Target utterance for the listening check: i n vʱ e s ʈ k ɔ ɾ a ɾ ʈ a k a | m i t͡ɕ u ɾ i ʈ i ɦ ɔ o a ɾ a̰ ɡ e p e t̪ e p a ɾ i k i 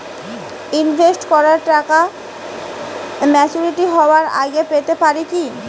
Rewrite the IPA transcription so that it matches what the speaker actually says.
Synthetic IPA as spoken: i n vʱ e s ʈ k ɔ ɾ a ɾ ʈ a k a | m ɛ t͡ɕ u ɾ i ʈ i ɦ ɔ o a ɾ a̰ ɡ e p e t̪ e p a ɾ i k i